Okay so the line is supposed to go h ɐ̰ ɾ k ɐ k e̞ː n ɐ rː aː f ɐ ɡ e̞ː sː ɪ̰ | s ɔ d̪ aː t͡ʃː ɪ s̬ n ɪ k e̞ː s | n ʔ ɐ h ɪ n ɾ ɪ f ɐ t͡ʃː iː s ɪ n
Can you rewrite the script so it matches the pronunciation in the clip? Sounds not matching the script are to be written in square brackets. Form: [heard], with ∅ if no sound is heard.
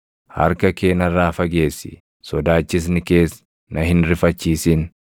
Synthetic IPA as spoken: h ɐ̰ ɾ k ɐ k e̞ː n ɐ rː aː f ɐ ɡ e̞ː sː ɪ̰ | s ɔ d̪ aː t͡ʃː ɪ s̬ n ɪ k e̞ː s | n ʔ ɐ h ɪ n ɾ ɪ f ɐ t͡ʃː iː s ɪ n